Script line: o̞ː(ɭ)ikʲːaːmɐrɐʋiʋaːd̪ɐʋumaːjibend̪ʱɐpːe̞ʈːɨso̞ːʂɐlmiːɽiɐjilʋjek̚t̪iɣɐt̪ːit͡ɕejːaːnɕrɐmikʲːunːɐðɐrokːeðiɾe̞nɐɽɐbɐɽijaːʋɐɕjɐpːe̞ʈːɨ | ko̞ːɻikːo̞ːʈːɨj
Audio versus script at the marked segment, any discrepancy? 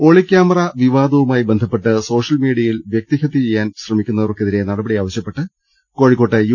no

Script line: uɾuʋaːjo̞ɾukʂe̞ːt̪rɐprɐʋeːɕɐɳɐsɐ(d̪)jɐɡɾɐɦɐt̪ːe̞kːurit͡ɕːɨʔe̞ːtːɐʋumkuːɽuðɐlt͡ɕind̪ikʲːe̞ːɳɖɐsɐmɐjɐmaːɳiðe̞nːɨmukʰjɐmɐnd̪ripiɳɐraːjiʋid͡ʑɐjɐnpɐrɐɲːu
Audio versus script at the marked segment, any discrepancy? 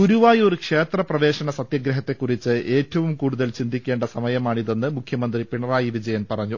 yes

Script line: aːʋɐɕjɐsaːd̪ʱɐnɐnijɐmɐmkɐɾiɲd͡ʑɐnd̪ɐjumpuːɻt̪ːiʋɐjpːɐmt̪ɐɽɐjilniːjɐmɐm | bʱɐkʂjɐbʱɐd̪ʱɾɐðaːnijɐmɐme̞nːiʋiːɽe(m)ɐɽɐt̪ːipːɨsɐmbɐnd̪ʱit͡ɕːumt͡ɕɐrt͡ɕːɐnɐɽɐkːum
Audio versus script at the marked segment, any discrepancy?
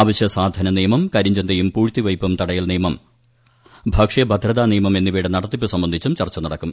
yes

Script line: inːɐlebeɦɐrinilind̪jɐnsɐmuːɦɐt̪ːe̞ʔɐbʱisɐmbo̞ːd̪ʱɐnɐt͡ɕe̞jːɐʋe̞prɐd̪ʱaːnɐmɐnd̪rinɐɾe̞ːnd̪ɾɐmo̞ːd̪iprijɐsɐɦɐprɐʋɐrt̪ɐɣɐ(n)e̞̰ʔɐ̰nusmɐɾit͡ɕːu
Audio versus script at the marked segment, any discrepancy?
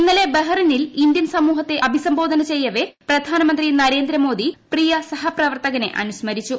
no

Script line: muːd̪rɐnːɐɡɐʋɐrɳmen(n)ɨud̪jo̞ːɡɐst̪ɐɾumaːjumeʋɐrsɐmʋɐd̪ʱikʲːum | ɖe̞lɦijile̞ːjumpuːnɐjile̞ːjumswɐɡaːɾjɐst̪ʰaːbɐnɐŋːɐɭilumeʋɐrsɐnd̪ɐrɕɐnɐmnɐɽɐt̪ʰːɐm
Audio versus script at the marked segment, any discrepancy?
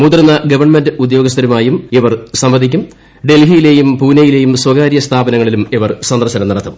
yes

